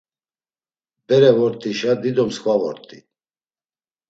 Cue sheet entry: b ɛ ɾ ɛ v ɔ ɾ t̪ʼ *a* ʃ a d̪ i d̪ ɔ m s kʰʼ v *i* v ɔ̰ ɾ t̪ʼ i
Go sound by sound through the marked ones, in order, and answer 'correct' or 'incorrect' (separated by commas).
incorrect, incorrect